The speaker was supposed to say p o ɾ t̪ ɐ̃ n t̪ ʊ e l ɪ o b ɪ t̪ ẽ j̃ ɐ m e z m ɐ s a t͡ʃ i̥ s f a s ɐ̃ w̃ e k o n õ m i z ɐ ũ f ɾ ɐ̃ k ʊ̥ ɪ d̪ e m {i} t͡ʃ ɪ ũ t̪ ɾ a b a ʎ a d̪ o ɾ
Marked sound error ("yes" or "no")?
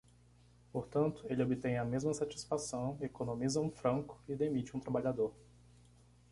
no